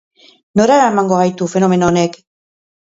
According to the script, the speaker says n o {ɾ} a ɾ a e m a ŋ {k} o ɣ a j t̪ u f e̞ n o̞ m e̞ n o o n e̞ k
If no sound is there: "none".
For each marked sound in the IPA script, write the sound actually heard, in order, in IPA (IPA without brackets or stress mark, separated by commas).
ɾ, ɡ